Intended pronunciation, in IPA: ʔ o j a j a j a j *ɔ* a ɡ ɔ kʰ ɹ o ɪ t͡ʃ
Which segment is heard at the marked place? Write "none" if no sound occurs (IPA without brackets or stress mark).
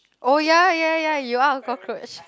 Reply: u